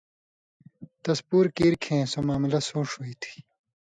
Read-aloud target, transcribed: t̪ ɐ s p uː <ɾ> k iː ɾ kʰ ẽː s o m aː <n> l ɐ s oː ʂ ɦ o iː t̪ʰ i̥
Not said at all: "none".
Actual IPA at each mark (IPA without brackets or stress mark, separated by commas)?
ɾ, m